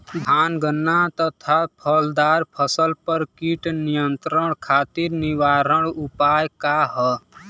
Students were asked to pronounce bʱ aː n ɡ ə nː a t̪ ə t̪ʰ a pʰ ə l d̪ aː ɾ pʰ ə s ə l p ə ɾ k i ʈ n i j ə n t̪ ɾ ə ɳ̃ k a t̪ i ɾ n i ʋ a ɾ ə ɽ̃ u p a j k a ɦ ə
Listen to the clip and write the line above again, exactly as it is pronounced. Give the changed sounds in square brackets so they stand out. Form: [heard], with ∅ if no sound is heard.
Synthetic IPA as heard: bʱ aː n ɡ ə nː a t̪ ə t̪ʰ a pʰ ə l d̪ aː ɾ pʰ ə s ə l p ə ɾ k i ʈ n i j ə n t̪ ɾ ə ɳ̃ [kʰ] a t̪ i ɾ n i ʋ a ɾ ə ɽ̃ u p a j k a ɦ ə